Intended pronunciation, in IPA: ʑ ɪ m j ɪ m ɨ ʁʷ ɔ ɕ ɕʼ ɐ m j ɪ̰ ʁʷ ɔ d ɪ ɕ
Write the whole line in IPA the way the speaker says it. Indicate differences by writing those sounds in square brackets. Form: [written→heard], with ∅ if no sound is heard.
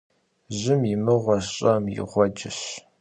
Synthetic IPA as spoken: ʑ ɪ m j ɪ m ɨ ʁʷ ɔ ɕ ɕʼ ɐ m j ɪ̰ ʁʷ ɔ [d→d͡ʒ] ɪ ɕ